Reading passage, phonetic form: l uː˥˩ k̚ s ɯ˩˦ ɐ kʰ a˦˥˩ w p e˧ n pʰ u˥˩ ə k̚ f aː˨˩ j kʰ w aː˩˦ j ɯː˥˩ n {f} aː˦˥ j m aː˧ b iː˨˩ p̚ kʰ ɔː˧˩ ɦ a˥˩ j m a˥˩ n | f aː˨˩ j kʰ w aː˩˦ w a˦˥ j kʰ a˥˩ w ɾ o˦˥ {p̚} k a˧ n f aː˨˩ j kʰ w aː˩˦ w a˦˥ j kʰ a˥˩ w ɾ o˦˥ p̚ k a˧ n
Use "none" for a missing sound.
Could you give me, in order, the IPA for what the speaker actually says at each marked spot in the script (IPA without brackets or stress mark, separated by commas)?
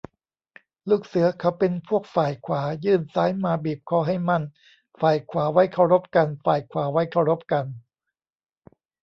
s, p̚